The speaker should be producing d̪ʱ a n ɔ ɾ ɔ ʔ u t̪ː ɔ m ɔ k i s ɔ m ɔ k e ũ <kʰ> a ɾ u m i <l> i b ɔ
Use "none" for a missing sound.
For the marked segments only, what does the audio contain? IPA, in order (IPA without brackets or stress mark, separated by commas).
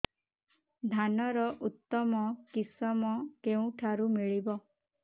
ʈʰ, ɭ